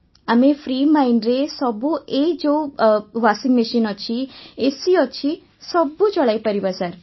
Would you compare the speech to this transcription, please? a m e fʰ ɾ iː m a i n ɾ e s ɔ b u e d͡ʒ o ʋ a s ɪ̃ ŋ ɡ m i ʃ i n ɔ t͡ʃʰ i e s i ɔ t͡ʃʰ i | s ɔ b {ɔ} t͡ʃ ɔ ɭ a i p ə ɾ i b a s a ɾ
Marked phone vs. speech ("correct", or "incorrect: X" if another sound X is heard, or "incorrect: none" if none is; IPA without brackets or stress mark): incorrect: u